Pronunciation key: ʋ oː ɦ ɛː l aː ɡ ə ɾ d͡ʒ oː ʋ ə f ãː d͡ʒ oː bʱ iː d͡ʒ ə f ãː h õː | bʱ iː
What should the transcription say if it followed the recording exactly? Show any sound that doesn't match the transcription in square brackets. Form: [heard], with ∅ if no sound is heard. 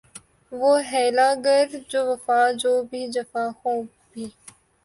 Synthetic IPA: ʋ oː ɦ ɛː l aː ɡ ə ɾ d͡ʒ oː ʋ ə f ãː d͡ʒ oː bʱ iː d͡ʒ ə f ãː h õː | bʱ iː